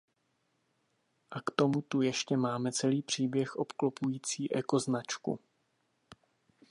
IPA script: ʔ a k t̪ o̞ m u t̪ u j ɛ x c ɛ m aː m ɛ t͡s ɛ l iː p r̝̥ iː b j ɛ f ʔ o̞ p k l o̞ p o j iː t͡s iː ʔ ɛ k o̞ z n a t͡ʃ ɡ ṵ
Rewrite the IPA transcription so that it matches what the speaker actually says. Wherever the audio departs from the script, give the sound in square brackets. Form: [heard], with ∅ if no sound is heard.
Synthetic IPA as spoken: ʔ a k t̪ o̞ m u t̪ u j ɛ [ʃ] c ɛ m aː m ɛ t͡s ɛ l iː p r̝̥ iː b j ɛ [x] ʔ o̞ p k l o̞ p [u] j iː t͡s iː ʔ ɛ k o̞ z n a t͡ʃ [k] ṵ